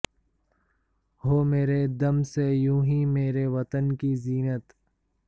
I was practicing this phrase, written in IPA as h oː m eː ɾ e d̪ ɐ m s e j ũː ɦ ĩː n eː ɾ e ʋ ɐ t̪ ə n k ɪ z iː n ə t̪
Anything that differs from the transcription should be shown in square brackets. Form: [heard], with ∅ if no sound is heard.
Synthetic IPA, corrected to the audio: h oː m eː ɾ e d̪ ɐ m s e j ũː ɦ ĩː [m] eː ɾ e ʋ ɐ t̪ ə n k [i] z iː n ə t̪